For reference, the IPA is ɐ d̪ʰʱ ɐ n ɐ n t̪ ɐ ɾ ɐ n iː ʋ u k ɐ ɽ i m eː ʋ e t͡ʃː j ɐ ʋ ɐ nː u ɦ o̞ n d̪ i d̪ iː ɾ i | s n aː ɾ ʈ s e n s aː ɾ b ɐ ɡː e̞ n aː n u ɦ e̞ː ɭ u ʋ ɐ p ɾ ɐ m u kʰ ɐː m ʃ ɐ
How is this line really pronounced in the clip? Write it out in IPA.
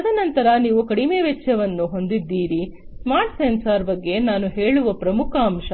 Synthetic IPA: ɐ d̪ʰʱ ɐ n ɐ n t̪ ɐ ɾ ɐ n iː ʋ u k ɐ ɽ i m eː ʋ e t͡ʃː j ɐ ʋ ɐ nː u ɦ o̞ n d̪ i d̪ː iː ɾ i | s m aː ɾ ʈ s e n s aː ɾ b ɐ ɡː e̞ n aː n u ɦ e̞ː ɭ u ʋ ɐ p ɾ ɐ m u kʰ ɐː m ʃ ɐ